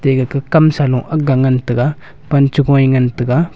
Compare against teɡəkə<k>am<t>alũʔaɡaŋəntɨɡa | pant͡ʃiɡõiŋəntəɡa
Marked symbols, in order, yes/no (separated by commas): yes, no